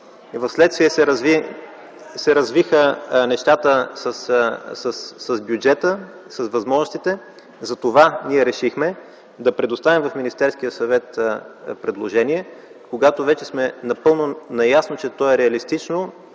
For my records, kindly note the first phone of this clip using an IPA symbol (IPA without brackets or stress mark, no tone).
v